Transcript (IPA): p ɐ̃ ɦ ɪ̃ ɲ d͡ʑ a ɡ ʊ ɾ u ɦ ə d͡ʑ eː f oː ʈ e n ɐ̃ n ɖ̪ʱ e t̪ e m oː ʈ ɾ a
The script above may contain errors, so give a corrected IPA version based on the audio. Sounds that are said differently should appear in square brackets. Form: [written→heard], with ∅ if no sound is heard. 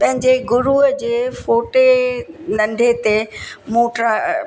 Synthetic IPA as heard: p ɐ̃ ɦ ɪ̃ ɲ d͡ʑ [a→e] ɡ ʊ ɾ u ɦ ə d͡ʑ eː f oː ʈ e n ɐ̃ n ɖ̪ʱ e t̪ e m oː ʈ ɾ a